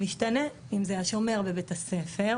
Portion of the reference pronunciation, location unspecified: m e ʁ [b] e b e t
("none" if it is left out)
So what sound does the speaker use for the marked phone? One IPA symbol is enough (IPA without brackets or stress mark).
b